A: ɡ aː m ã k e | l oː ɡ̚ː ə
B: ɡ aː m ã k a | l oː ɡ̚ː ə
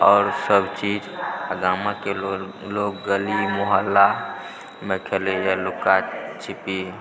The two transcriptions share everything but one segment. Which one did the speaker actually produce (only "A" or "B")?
A